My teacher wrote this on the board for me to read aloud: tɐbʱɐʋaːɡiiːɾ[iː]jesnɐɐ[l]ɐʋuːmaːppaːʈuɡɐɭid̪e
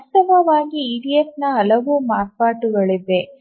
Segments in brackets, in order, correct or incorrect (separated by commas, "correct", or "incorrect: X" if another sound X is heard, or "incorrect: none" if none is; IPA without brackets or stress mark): incorrect: i, correct